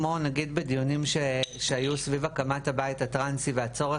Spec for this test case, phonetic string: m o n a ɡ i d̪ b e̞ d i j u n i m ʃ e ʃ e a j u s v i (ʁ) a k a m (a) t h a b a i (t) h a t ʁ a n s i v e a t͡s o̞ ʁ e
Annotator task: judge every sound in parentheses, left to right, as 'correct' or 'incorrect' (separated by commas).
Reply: incorrect, correct, correct